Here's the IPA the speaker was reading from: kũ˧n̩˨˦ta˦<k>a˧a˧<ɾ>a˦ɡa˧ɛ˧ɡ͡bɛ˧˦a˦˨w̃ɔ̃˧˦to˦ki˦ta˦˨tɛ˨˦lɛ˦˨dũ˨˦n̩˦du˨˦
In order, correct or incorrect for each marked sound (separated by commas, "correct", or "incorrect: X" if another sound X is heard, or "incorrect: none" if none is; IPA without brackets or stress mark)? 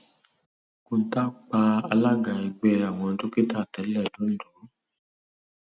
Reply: incorrect: k͡p, incorrect: l